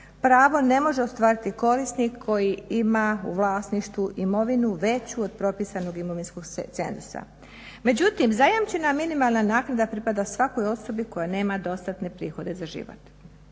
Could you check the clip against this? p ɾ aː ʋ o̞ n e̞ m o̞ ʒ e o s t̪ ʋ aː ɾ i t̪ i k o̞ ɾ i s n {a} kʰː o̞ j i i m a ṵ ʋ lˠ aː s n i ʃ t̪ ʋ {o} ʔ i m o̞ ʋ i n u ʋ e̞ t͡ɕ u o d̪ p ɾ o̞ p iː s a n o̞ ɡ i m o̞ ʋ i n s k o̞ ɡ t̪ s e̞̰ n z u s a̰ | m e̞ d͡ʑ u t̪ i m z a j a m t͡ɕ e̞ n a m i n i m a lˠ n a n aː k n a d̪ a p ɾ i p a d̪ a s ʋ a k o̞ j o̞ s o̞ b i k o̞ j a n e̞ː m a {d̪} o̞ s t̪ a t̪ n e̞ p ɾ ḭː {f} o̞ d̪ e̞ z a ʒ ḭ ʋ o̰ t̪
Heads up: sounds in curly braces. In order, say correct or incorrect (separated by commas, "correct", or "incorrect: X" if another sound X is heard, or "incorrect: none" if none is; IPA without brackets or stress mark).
incorrect: i, incorrect: u, correct, incorrect: x